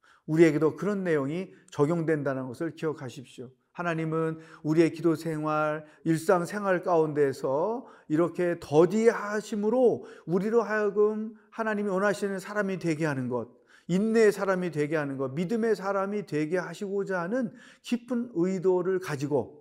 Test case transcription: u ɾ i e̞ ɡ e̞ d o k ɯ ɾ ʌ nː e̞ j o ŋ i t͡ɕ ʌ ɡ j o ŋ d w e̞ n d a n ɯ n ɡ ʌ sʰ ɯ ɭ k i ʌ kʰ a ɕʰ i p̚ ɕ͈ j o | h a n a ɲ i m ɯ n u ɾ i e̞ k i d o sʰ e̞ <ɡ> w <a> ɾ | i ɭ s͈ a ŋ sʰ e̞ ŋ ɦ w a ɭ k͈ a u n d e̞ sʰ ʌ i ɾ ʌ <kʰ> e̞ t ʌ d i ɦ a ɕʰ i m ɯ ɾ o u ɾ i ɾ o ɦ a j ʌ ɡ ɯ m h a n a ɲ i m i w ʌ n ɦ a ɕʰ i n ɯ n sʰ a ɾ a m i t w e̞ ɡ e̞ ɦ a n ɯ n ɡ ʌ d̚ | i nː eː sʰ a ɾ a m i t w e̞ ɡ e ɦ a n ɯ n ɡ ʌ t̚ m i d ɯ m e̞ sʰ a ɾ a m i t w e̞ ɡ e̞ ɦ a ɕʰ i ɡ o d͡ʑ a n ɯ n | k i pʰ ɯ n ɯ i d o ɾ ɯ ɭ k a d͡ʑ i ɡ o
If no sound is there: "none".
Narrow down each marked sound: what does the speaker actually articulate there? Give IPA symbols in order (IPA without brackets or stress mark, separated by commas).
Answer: ŋ, a, kʰ